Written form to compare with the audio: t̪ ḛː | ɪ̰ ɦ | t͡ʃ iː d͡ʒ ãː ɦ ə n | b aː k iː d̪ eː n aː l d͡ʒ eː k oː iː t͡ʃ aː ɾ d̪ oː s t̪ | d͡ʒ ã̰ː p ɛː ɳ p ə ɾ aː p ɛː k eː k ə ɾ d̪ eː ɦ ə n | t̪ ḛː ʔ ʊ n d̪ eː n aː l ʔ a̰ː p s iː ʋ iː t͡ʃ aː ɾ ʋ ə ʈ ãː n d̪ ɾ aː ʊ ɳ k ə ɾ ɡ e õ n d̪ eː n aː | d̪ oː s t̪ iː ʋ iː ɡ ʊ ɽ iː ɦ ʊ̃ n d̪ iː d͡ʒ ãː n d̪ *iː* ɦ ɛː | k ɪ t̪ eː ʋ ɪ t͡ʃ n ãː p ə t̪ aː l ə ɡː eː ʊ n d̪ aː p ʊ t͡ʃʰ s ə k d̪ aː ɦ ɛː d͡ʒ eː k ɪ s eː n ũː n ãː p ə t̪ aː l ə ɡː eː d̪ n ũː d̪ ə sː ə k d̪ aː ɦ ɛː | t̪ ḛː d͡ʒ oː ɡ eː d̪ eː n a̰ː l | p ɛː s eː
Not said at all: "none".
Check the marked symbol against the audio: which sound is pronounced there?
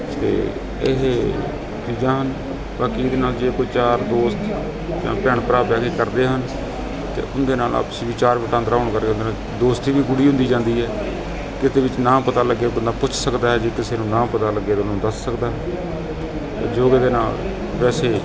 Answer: iː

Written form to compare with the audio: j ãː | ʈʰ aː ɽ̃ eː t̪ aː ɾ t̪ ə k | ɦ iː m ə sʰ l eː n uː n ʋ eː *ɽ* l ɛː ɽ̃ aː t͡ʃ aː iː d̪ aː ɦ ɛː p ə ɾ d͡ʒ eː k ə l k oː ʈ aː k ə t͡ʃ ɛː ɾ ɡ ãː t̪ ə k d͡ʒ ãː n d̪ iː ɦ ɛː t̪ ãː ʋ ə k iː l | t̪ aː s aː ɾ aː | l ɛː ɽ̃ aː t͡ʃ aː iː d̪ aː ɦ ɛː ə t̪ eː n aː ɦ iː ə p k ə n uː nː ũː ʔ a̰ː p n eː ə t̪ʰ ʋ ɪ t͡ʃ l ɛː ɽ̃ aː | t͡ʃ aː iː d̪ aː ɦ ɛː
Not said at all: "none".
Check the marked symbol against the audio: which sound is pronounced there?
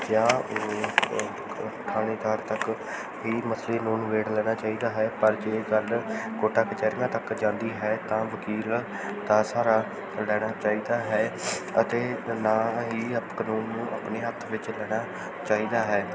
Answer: ɽ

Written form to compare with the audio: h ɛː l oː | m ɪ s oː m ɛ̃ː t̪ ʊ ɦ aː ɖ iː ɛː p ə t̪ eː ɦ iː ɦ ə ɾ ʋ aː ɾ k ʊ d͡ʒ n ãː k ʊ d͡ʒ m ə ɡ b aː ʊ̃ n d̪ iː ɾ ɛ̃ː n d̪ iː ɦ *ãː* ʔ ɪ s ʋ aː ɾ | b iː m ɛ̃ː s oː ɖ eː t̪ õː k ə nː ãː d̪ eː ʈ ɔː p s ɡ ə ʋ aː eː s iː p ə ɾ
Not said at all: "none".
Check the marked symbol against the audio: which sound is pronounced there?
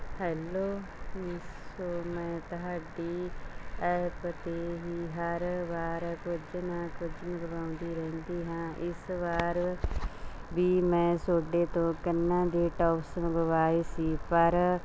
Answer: ãː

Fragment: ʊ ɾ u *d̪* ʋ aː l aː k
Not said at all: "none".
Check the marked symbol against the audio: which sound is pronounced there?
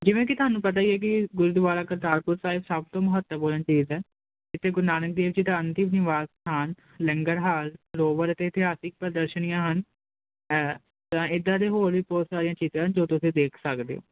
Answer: d̪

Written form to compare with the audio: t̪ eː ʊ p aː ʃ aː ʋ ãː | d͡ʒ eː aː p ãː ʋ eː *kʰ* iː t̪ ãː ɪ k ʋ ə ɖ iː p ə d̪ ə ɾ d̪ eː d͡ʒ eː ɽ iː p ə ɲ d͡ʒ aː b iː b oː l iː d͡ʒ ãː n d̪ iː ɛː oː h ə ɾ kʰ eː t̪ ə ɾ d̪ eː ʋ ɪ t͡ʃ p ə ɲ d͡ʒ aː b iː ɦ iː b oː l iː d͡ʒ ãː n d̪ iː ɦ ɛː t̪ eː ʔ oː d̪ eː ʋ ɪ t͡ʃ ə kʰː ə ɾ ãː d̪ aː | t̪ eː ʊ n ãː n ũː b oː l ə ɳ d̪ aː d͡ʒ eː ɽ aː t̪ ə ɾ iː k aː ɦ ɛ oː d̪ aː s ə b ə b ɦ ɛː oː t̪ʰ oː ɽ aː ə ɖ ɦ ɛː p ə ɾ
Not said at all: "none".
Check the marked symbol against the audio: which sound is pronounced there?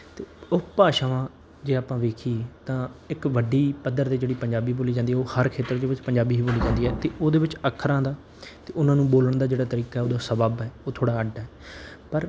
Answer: kʰ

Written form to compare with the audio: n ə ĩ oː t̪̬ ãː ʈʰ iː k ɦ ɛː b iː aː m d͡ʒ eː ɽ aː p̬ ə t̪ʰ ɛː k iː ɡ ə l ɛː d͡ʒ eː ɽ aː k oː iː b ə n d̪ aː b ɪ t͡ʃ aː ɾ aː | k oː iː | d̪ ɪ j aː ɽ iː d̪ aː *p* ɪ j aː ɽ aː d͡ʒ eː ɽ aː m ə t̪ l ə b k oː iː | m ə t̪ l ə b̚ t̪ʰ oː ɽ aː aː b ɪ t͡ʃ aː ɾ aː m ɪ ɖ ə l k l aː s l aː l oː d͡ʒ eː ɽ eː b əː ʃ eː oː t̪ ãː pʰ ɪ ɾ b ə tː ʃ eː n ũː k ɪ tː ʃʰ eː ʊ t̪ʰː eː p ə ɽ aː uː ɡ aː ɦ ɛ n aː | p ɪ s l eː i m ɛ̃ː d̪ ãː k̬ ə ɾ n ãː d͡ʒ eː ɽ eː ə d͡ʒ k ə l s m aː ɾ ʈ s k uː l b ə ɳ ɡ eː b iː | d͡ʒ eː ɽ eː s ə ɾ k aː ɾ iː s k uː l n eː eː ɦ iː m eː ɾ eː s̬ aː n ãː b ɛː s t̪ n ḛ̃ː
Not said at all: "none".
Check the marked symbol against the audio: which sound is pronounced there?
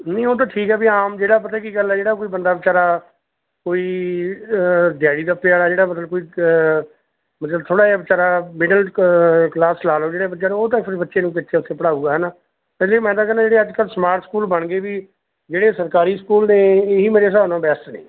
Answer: p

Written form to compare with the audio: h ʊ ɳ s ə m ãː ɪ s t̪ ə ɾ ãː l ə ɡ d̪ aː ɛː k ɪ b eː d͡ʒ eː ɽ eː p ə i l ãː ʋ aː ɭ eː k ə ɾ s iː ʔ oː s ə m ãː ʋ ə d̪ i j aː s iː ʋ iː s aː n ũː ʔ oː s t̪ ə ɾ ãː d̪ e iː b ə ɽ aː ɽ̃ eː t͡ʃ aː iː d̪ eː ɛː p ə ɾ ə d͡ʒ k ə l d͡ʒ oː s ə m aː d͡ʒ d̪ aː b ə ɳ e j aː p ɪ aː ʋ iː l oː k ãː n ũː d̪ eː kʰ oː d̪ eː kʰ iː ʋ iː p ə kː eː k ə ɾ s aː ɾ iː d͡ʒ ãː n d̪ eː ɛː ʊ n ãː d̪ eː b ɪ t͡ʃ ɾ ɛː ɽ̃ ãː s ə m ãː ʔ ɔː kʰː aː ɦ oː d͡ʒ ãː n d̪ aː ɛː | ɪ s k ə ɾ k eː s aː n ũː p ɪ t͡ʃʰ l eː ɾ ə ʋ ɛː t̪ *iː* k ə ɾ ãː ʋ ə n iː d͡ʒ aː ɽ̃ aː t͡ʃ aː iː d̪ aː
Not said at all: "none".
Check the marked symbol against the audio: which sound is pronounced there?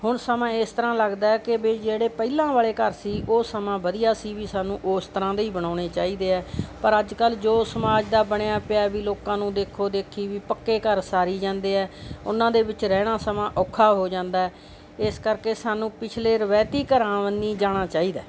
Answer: iː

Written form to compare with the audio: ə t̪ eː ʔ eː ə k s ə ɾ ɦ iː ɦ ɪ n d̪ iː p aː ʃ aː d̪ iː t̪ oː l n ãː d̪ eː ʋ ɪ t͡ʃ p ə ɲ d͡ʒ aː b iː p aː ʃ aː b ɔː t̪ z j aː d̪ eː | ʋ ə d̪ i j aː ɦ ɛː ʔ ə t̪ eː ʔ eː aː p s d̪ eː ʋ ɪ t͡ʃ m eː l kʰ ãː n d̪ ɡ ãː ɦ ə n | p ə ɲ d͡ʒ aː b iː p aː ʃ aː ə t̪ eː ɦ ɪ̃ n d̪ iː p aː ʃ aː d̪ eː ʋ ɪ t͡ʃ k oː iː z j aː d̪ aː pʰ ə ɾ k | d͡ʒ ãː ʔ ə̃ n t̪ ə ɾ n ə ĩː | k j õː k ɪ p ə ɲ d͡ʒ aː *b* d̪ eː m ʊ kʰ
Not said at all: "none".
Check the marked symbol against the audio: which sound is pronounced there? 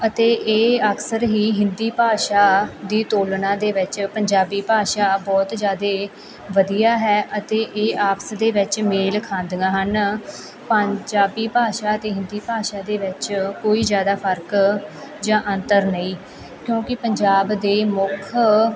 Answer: b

